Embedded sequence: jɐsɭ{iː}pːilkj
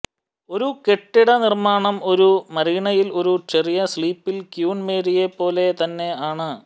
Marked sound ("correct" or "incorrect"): correct